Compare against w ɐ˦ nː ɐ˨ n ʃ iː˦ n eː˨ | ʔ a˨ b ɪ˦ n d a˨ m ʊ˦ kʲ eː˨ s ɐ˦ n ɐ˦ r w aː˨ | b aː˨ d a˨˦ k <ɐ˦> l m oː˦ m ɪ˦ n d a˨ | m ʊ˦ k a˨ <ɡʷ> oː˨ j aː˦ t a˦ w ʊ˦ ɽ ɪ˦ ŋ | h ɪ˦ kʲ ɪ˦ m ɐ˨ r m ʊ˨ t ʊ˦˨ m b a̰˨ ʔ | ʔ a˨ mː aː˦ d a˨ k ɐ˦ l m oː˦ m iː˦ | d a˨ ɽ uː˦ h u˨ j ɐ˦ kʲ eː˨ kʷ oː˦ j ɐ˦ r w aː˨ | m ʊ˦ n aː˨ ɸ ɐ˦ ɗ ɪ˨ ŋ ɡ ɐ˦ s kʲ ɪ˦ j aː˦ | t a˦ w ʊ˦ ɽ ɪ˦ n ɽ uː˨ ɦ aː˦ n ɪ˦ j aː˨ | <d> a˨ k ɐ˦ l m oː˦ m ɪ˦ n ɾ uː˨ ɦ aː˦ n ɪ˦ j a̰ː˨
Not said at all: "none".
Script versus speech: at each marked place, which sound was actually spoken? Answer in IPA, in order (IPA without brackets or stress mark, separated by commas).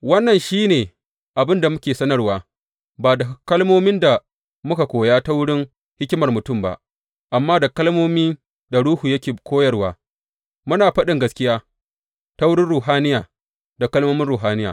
ɐ˦, kʷ, d